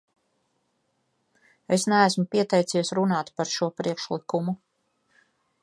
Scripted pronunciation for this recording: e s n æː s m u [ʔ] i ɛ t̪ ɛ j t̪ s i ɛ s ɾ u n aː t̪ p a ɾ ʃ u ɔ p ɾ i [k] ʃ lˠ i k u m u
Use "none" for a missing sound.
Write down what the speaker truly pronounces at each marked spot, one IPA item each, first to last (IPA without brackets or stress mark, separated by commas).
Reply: p, k